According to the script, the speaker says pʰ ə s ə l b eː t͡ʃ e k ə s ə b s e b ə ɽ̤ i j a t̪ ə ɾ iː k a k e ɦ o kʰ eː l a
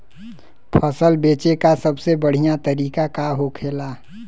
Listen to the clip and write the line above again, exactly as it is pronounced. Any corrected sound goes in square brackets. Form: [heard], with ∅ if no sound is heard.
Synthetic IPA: pʰ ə s ə l b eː t͡ʃ e k [a] s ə b s e b ə ɽ̤ i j a t̪ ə ɾ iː k a k [a] ɦ o kʰ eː l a